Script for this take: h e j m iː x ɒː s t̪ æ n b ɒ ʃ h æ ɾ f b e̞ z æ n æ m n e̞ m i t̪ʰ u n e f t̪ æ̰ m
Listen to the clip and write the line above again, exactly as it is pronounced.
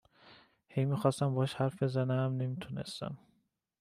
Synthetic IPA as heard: h e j m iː x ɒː s t̪ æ m b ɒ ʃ h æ ɾ f b e̞ z æ n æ m n e̞ m i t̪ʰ u n e s t̪ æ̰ m